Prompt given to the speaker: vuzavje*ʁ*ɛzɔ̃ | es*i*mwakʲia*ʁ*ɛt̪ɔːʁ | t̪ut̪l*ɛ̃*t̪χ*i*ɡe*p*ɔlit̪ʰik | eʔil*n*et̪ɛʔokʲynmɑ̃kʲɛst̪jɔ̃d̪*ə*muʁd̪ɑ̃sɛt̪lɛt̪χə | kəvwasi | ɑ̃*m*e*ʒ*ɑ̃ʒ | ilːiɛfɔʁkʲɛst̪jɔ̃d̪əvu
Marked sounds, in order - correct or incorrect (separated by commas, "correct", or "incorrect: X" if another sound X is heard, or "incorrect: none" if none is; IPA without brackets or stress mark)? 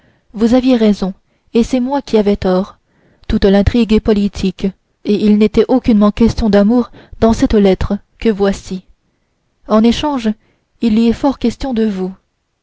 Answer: correct, incorrect: ɛ, incorrect: v, correct, correct, correct, correct, incorrect: a, incorrect: n, incorrect: ʃ